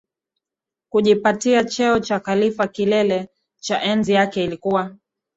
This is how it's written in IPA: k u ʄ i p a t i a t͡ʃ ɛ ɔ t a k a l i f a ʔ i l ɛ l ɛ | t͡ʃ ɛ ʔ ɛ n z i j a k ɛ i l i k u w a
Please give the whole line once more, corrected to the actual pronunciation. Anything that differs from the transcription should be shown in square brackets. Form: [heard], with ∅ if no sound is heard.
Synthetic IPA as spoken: k u ʄ i p a t i a t͡ʃ ɛ ɔ [t͡ʃ] a k a l i f a [k] i l ɛ l ɛ | t͡ʃ [a] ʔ ɛ n z i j a k ɛ i l i k u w a